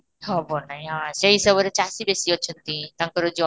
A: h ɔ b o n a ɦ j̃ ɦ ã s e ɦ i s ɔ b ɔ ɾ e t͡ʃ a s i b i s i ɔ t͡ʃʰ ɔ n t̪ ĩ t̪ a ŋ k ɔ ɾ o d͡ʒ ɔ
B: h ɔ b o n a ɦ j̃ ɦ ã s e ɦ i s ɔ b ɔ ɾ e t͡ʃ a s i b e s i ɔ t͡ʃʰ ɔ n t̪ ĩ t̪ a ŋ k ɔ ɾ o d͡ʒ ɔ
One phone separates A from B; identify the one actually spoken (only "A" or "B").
B